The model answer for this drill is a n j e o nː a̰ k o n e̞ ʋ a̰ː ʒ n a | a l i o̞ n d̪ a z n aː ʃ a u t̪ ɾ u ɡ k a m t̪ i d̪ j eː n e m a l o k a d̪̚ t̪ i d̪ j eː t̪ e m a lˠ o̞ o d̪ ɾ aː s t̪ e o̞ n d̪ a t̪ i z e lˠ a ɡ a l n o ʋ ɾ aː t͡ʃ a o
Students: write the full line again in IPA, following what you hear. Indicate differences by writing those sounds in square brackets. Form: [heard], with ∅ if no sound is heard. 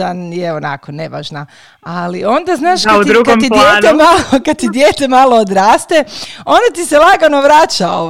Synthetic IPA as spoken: a n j e o [n] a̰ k o n e̞ ʋ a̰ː ʒ n a | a l i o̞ n d̪ a z n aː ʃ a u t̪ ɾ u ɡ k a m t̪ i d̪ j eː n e m a l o k a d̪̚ t̪ i d̪ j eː t̪ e m a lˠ o̞ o d̪ ɾ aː s t̪ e o̞ n d̪ a t̪ i [s] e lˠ a ɡ a [∅] n o ʋ ɾ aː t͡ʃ a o